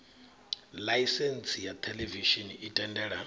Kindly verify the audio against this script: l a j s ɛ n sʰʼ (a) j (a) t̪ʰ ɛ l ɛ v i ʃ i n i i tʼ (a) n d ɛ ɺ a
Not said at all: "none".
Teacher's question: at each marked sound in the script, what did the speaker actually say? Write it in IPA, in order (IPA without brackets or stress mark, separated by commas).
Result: i, a, ɛ